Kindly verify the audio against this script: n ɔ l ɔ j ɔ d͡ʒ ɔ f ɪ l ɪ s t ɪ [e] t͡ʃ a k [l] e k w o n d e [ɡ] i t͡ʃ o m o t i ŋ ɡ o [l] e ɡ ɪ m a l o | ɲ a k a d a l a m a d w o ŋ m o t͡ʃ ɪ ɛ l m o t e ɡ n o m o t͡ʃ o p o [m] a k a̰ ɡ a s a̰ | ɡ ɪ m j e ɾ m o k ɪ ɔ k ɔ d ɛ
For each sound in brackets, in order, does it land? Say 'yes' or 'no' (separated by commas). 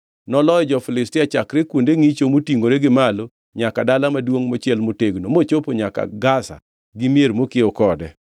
no, no, no, no, no